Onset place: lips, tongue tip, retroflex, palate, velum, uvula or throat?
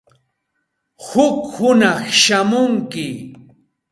throat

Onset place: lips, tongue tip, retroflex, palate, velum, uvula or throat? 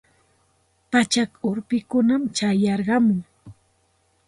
lips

